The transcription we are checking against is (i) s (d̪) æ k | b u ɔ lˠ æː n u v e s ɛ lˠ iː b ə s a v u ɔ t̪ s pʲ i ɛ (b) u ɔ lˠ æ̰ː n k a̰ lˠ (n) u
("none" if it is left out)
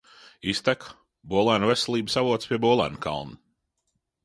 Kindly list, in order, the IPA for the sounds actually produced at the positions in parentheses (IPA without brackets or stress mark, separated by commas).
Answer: i, t̪, b, n